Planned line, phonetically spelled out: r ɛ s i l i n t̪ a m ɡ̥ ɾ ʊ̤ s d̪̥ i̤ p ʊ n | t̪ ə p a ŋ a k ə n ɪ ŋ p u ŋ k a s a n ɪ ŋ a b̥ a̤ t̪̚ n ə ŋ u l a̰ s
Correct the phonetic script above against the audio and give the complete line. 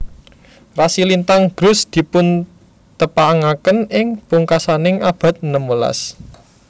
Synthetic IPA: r a s i l i n t̪ a ŋ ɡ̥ ɾ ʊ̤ s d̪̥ i̤ p ʊ n | t̪ ə p a ŋ a k ə n ɪ ŋ p u ŋ k a s a n ɪ ŋ a b̥ a̤ t̪̚ n ə m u l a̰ s